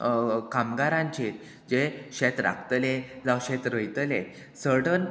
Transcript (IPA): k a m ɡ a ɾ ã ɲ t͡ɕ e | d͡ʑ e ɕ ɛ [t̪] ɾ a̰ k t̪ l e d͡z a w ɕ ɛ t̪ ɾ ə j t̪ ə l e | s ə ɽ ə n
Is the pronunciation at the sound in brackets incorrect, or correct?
correct